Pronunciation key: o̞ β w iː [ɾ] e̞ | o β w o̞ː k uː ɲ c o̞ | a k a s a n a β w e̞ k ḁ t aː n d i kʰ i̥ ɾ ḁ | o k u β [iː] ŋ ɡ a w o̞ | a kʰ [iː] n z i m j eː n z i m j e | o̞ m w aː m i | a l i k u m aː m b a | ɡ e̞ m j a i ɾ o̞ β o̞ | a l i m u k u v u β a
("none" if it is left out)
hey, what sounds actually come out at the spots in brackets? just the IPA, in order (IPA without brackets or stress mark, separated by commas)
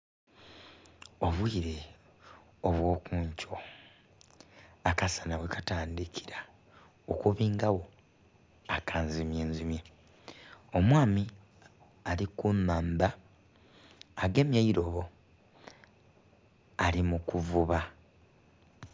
ɾ, iː, aː